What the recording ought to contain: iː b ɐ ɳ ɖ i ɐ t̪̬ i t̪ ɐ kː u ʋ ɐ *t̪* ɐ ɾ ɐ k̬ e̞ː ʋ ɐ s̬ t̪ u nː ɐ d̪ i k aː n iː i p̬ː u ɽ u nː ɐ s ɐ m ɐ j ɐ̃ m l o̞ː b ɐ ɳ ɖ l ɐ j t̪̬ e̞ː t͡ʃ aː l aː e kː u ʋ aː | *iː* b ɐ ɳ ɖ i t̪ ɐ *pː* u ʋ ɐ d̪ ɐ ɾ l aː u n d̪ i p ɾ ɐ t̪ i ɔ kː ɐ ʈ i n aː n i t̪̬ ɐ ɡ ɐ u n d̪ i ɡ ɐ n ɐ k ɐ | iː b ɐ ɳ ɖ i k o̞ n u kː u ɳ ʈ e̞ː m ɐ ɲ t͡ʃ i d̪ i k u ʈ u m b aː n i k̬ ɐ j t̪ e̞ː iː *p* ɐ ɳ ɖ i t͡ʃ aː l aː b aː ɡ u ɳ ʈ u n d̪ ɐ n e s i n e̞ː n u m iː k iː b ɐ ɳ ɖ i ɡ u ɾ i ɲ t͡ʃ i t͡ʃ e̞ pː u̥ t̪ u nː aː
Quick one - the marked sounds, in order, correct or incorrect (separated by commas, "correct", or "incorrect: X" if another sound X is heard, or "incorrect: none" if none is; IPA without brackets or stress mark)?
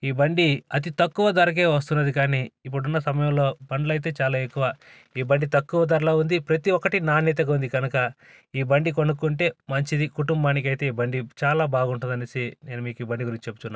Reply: incorrect: d̪, correct, incorrect: kː, incorrect: b